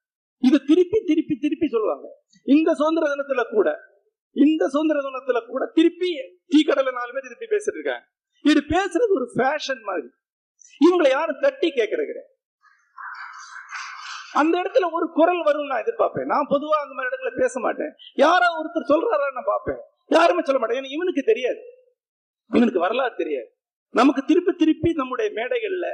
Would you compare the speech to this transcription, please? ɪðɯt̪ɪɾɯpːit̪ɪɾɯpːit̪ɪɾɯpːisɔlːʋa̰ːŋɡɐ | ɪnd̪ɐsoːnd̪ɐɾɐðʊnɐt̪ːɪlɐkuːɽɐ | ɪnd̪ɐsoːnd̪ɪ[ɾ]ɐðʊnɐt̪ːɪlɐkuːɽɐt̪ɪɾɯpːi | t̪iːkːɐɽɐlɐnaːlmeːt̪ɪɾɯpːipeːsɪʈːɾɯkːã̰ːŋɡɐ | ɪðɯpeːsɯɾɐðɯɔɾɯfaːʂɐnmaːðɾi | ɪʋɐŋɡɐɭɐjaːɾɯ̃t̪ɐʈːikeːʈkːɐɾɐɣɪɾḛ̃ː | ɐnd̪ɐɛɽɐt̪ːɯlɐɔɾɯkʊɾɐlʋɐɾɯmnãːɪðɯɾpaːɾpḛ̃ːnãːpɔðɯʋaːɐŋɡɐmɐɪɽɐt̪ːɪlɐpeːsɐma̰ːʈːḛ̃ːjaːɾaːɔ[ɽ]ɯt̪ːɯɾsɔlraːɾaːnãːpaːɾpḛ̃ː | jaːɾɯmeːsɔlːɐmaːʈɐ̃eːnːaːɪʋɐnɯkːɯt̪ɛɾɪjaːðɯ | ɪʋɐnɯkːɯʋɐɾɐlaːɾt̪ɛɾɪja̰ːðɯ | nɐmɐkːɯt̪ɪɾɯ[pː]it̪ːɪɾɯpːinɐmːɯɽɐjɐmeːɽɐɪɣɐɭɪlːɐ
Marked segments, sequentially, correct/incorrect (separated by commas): correct, incorrect, correct